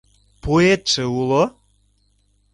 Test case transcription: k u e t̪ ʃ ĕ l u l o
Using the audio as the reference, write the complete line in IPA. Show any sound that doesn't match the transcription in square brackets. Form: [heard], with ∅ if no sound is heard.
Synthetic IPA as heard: [p] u e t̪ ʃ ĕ [∅] u l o